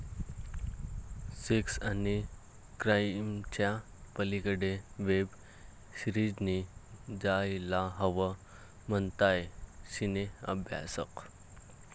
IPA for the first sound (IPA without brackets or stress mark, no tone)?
s